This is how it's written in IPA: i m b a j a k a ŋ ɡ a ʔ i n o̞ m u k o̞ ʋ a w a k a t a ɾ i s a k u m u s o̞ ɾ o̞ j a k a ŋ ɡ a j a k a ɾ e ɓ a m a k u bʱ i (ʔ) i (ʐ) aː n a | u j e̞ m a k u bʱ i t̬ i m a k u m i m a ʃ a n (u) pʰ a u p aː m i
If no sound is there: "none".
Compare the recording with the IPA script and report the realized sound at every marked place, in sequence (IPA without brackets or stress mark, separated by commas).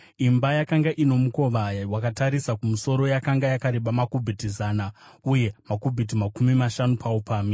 t, z, u